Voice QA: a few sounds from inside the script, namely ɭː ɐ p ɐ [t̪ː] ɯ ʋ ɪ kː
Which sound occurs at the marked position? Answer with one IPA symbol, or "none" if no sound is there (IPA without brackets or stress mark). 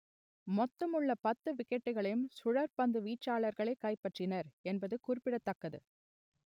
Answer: t̪ː